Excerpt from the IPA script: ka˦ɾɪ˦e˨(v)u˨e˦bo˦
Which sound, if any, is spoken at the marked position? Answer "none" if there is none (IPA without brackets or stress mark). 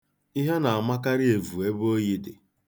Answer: v